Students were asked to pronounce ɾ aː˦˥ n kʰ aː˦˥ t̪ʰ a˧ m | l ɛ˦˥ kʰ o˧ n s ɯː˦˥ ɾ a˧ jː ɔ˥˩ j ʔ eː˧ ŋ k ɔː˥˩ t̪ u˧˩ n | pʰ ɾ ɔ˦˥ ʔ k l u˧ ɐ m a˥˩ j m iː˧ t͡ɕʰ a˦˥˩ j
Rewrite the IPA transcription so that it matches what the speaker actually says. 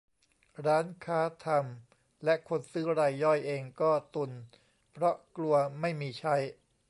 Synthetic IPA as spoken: ɾ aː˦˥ n kʰ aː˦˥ t̪ʰ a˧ m | l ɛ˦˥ kʰ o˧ n s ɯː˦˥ ɾ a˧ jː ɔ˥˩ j ʔ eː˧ ŋ k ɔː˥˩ t̪ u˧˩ n | pʰ ɾ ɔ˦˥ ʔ k l u˧ ɐ m a˥˩ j m iː˧ t͡ɕʰ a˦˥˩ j

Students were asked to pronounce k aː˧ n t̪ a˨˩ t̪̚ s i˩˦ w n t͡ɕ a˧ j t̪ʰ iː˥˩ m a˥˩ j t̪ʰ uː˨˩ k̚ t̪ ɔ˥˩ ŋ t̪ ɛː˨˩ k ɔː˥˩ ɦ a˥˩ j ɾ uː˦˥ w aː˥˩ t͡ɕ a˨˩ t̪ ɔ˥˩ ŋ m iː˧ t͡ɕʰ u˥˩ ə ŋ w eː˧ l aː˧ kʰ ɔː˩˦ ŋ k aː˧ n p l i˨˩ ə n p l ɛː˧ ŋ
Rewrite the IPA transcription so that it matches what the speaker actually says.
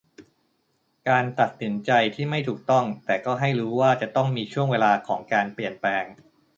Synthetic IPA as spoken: k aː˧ n t̪ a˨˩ t̪̚ s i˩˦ n t͡ɕ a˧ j t̪ʰ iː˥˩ m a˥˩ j t̪ʰ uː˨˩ k̚ t̪ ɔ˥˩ ŋ t̪ ɛː˨˩ k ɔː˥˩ ɦ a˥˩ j ɾ uː˦˥ w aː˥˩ t͡ɕ a˨˩ t̪ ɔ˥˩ ŋ m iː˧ t͡ɕʰ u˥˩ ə ŋ w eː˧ l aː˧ kʰ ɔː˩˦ ŋ k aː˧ n p l i˨˩ ə n p l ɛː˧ ŋ

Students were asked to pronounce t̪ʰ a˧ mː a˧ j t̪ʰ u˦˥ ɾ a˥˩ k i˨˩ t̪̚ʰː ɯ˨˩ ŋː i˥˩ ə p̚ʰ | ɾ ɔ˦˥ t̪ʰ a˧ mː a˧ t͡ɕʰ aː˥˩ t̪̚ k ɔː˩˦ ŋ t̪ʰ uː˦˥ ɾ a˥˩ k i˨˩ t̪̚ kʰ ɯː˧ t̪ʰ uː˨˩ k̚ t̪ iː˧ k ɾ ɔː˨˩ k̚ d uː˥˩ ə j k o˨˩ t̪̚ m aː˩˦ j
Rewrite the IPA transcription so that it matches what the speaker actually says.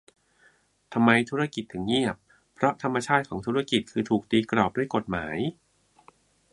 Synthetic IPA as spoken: t̪ʰ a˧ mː a˧ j t̪ʰ u˦˥ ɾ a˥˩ k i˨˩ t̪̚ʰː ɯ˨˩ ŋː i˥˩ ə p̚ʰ | ɾ ɔ˦˥ t̪ʰ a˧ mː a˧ t͡ɕʰ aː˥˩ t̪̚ kʰ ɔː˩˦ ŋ t̪ʰ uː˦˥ ɾ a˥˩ k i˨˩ t̪̚ kʰ ɯː˧ t̪ʰ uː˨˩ k̚ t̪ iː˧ k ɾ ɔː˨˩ p̚ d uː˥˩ ə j k o˨˩ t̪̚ m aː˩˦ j

